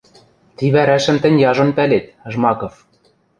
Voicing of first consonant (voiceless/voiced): voiceless